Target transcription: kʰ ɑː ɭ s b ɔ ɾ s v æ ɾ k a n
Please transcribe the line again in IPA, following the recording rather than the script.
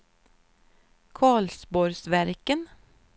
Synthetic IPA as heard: kʰ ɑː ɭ s b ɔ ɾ s ʋ æ ɾ k ə n